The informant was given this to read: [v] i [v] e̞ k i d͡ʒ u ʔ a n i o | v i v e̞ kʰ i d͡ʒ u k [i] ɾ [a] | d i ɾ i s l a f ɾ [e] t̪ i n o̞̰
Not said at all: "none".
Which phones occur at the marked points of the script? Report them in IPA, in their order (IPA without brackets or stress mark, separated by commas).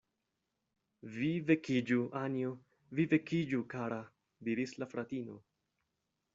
v, v, a, a, a